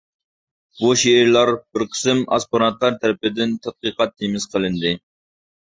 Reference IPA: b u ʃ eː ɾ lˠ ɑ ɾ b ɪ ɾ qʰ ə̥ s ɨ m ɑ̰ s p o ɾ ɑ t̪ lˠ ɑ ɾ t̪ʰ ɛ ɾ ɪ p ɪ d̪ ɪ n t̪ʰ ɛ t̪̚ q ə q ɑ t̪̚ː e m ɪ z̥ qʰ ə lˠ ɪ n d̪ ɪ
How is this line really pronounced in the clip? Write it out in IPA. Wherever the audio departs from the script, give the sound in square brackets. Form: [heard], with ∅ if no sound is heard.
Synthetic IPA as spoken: b u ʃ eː ɾ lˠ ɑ ɾ b ɪ ɾ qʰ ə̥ s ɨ m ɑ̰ s p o ɾ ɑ t̪ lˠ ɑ ɾ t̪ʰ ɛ ɾ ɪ p ɪ d̪ ɪ n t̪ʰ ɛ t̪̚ q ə q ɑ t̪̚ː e m ɪ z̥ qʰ ə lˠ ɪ n d̪ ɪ